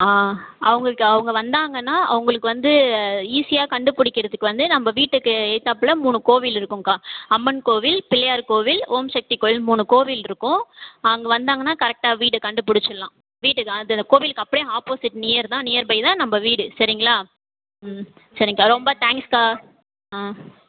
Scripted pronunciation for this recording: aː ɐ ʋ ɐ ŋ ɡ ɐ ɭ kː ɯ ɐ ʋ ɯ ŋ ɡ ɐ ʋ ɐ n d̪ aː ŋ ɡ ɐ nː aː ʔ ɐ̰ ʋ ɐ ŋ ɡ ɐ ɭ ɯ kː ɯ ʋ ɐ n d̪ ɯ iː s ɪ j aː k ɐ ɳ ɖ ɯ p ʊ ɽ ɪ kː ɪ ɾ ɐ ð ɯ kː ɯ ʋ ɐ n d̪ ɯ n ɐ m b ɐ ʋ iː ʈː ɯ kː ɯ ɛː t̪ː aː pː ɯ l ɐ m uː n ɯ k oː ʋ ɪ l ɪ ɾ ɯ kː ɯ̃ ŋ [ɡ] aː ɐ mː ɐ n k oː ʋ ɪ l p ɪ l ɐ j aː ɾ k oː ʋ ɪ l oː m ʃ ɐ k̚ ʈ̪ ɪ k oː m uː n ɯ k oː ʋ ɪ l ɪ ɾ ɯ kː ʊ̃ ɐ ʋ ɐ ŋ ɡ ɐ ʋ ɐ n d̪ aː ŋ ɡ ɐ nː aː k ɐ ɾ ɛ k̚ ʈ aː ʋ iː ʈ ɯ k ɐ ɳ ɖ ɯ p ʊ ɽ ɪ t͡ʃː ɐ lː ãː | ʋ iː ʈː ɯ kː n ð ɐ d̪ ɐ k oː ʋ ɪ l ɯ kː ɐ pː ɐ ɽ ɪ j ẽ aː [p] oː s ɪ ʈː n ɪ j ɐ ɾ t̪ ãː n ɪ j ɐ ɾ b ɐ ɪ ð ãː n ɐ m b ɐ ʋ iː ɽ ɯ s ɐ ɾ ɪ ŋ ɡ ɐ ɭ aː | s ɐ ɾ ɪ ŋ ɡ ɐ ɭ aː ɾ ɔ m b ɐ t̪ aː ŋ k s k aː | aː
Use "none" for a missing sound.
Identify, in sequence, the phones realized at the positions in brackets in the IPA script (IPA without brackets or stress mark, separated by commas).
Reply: k, p